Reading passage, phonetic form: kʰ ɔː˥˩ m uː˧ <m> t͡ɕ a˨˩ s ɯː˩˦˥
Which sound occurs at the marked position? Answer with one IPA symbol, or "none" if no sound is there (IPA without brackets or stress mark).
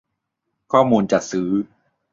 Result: n